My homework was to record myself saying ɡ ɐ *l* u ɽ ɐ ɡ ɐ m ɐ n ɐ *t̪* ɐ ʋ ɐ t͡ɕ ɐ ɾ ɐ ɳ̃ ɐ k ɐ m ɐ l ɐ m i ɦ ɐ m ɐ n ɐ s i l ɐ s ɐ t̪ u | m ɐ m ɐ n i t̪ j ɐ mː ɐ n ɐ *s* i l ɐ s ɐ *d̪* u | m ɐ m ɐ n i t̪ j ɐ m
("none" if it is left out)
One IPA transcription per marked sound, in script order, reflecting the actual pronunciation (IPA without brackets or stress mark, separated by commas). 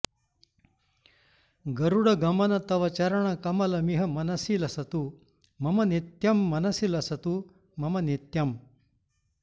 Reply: ɾ, t̪, s, t̪